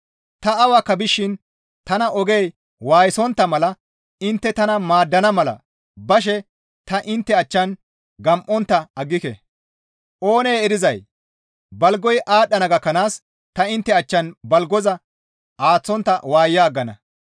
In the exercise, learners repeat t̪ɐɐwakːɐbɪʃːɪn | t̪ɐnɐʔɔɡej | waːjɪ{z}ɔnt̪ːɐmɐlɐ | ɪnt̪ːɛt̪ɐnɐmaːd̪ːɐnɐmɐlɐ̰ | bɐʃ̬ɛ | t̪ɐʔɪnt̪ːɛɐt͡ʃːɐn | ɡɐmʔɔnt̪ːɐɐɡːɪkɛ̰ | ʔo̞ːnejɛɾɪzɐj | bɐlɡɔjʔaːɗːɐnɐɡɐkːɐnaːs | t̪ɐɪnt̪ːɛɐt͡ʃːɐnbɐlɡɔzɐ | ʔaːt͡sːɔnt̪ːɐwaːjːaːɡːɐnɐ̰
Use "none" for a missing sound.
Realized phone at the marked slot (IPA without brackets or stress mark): s